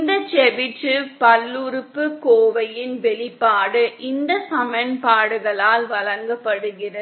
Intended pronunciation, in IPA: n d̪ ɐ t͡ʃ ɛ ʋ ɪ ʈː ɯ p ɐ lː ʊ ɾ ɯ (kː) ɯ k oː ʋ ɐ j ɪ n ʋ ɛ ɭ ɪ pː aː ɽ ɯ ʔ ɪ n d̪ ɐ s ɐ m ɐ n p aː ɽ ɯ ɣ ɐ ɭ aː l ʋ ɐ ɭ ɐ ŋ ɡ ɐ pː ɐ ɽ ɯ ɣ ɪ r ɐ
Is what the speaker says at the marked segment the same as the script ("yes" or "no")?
no